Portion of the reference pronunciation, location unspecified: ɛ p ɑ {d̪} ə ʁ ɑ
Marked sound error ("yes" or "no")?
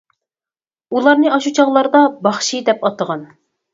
yes